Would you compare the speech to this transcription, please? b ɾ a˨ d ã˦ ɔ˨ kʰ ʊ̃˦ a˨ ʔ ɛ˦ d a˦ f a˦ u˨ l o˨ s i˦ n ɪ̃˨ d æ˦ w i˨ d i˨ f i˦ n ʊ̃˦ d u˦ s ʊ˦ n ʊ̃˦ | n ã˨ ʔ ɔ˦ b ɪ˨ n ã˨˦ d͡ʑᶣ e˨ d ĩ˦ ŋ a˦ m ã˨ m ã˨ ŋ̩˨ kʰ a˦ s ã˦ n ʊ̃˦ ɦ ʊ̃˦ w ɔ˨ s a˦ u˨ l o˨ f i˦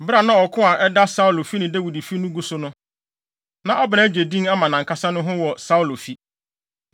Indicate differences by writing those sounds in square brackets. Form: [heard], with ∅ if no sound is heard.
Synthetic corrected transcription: b ɾ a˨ [n] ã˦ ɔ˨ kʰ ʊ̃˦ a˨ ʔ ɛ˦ d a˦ [s] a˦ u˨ l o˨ [f] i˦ n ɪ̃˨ d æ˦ w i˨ d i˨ f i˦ n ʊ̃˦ [ɡ] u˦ s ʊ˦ n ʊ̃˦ | n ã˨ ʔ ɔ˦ b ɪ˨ n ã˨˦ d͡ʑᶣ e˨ d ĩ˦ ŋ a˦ m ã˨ [n] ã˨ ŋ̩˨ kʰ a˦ s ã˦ n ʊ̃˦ ɦ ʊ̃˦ w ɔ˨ s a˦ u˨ l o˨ f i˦